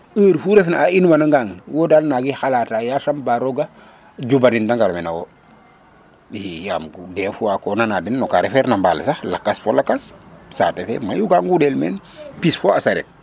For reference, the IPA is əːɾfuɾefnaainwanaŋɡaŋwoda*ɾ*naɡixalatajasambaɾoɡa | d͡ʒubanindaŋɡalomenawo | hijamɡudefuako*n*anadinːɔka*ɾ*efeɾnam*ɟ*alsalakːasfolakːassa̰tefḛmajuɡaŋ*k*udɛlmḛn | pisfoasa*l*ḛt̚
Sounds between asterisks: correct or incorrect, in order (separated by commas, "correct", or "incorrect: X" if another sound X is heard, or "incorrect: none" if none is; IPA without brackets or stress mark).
incorrect: l, correct, correct, incorrect: b, incorrect: ɡ, incorrect: ɾ